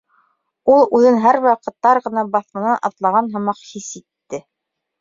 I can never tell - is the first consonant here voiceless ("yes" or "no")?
no